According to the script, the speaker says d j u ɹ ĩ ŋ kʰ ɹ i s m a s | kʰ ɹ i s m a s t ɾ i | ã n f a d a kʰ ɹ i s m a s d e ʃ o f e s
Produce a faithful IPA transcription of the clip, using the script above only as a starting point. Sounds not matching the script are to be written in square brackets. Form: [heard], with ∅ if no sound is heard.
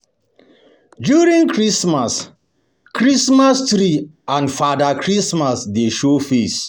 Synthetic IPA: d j u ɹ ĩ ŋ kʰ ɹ i s m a s | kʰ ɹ i s m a s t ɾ i | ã n f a d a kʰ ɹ i s m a s d e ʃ o f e s